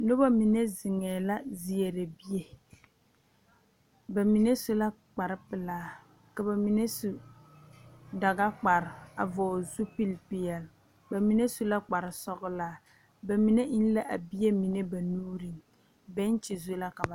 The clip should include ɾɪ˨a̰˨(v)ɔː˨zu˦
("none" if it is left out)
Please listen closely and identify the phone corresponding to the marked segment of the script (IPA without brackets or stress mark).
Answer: v